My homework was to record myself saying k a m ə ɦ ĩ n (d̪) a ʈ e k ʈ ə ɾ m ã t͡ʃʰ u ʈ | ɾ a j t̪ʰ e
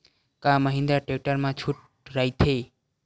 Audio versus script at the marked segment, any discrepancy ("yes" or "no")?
no